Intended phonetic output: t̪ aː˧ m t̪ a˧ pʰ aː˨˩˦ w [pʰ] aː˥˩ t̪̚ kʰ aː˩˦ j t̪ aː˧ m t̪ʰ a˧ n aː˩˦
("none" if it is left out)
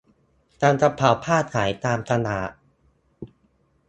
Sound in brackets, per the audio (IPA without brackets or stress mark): pʰ